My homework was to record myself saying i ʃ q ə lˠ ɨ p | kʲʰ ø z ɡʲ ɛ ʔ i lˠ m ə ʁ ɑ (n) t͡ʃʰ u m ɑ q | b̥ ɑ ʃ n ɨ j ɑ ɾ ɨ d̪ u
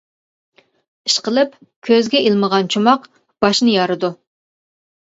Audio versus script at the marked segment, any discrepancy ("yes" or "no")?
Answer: no